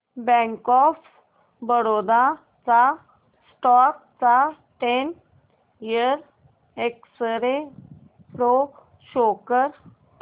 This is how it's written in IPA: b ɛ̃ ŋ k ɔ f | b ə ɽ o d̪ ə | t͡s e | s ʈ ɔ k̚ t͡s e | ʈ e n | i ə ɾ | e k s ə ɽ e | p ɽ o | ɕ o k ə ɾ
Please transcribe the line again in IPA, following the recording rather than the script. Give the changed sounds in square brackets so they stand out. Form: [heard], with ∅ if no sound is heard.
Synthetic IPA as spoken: b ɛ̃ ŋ k ɔ f | b ə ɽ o d̪ [a] | t͡s [a] | s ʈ ɔ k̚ t͡s [a] | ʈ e n | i ə ɾ | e k s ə [ɾ] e | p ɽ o | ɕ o k ə ɾ